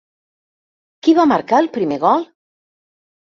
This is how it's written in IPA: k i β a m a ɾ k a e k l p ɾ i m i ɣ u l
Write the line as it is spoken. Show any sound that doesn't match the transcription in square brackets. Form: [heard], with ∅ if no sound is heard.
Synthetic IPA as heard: k i β a m a ɾ k a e [∅] l p ɾ i m [e] ɣ [ɔ] l